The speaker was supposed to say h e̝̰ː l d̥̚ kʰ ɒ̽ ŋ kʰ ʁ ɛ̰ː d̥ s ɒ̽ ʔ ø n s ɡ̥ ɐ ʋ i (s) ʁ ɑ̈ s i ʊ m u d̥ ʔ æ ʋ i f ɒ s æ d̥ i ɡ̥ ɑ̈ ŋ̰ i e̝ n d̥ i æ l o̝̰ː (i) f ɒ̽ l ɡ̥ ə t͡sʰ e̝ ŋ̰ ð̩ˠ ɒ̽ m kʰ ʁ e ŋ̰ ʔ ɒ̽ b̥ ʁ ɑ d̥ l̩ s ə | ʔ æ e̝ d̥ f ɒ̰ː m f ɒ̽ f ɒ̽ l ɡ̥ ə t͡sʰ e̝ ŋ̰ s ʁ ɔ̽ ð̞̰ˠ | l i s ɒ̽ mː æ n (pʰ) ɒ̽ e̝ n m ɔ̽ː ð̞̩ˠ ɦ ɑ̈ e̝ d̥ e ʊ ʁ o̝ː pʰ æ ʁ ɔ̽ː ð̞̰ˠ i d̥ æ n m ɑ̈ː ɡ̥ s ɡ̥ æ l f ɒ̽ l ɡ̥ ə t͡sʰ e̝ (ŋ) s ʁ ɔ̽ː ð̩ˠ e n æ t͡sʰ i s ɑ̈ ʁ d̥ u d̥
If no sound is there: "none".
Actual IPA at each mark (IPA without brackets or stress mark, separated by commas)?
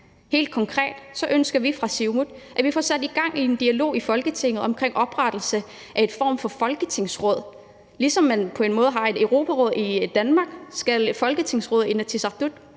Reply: f, i, pʰ, ŋ